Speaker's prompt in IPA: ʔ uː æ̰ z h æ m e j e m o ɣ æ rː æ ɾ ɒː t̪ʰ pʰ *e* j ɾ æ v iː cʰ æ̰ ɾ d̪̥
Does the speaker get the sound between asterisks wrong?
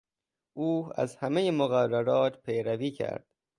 no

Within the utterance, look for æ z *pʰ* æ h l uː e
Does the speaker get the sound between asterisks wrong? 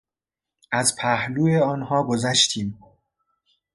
no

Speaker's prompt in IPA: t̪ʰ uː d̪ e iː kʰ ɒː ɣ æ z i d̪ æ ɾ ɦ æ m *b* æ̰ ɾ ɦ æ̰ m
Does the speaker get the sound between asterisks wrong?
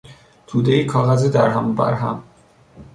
no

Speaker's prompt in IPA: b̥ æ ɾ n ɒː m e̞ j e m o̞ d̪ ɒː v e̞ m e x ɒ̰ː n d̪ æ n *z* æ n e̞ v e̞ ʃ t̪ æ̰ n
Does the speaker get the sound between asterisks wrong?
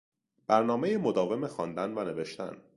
yes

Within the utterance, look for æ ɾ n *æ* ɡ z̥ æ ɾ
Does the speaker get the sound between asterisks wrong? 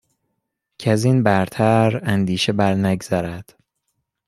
no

